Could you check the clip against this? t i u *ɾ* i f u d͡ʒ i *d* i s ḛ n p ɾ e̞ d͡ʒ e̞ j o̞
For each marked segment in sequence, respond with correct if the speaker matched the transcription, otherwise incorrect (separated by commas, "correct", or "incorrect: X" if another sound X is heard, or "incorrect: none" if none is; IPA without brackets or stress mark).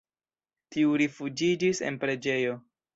correct, incorrect: d͡ʒ